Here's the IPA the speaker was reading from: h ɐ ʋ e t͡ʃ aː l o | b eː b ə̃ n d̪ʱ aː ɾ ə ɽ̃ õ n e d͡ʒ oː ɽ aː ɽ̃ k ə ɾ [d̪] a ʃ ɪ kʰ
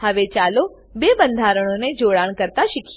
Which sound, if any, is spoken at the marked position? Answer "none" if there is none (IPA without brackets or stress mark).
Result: t̪